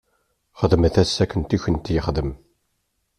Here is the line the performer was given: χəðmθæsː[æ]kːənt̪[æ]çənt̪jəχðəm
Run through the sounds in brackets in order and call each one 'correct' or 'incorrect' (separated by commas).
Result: correct, incorrect